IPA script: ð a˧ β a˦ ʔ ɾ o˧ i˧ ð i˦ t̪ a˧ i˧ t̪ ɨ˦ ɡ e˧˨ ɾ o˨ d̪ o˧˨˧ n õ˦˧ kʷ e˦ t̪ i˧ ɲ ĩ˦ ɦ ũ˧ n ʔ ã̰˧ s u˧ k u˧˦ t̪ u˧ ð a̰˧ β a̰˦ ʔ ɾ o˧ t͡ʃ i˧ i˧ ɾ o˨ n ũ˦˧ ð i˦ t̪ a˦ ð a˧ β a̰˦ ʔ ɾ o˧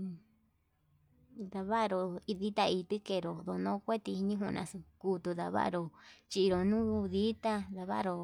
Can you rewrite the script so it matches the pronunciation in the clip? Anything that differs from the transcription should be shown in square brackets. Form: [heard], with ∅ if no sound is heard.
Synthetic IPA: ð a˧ β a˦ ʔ ɾ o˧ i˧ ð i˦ t̪ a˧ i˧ t̪ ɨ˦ [k] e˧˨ ɾ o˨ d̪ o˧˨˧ n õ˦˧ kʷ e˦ t̪ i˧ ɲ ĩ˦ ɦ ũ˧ n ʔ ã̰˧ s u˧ k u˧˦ t̪ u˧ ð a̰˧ β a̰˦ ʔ ɾ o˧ t͡ʃ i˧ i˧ ɾ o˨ n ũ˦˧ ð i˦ t̪ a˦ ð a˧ β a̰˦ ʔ ɾ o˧

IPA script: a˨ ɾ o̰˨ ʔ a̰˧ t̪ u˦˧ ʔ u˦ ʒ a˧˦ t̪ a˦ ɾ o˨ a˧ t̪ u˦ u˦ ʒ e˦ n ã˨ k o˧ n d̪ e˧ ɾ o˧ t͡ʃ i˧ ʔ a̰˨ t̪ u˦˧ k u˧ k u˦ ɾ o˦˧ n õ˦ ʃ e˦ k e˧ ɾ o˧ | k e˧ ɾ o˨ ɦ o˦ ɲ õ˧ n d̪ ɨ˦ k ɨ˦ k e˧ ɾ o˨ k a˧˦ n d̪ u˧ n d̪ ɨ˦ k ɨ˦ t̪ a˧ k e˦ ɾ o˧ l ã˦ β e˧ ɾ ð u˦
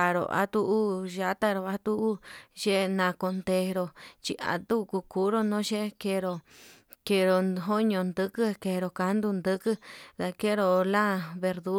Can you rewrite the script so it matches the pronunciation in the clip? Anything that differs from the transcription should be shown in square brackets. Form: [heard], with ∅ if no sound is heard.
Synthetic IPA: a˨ ɾ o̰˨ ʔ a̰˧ t̪ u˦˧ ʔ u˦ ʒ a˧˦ t̪ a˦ ɾ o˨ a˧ t̪ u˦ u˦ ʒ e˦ n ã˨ k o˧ n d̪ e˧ ɾ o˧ t͡ʃ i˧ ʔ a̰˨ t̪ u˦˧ k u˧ k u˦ ɾ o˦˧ n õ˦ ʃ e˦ k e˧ ɾ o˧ | k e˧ ɾ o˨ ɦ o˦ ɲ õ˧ n d̪ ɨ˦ k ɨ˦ k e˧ ɾ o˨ k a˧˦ n d̪ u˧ n d̪ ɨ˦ k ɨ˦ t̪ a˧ k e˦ ɾ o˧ l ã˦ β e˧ ɾ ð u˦

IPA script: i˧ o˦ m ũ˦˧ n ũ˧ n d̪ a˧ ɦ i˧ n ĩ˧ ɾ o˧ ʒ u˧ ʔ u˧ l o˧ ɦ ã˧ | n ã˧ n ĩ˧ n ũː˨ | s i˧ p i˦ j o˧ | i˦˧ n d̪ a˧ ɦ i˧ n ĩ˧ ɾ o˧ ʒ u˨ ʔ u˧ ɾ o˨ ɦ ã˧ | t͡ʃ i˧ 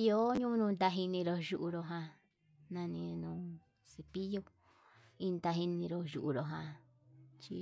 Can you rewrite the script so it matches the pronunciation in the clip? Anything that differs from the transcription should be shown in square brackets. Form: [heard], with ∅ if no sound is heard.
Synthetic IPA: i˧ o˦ [ɲ] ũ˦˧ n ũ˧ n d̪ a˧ ɦ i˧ n ĩ˧ ɾ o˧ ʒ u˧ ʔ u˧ [ɾ] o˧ ɦ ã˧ | n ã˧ n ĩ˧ n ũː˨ | s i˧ p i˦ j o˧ | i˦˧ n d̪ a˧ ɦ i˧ n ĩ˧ ɾ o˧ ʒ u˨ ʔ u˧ ɾ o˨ ɦ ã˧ | t͡ʃ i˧

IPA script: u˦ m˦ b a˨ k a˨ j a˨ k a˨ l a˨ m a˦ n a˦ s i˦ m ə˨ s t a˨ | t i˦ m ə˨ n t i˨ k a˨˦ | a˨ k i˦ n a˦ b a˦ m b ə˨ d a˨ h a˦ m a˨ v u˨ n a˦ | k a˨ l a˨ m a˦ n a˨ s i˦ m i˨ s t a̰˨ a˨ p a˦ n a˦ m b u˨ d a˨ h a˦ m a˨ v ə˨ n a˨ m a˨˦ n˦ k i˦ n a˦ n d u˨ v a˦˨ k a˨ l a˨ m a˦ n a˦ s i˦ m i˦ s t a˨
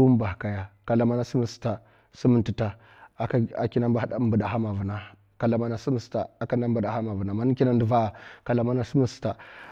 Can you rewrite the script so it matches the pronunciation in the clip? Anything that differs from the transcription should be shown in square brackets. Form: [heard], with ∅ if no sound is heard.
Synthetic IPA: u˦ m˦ b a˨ k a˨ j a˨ k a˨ l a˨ m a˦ n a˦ s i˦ m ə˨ s t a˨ | [s] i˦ m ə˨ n t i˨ [t] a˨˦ | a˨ k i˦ n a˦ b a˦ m b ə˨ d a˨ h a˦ m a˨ v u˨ n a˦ | k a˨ l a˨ m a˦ n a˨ s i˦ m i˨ s t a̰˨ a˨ [k] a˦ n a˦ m b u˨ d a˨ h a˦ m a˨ v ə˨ n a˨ m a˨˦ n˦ k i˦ n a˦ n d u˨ v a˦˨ k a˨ l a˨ m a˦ n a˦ s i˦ m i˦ s t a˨

